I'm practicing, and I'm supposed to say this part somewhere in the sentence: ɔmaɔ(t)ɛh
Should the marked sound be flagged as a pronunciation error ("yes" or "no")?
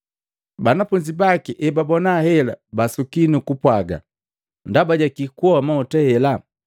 no